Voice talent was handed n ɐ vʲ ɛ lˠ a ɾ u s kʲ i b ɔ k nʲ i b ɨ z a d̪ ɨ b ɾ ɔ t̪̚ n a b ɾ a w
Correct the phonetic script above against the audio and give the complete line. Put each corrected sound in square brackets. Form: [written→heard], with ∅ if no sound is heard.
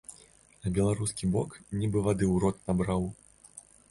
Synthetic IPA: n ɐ [vʲ→bʲ] ɛ lˠ a ɾ u s kʲ i b ɔ k nʲ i b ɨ [z→v] a d̪ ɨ [b→w] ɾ ɔ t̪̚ n a b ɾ a w